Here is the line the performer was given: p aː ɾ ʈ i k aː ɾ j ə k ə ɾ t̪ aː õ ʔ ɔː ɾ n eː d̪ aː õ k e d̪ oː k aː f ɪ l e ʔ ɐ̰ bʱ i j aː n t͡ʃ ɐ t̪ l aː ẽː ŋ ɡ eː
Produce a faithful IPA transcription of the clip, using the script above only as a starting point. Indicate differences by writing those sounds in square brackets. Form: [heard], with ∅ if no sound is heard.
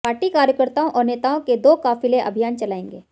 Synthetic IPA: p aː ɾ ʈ i k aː ɾ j ə k ə ɾ t̪ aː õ ʔ ɔː ɾ n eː [t̪] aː õ k e d̪ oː k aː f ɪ l e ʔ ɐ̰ bʱ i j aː n t͡ʃ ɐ [∅] l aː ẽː ŋ ɡ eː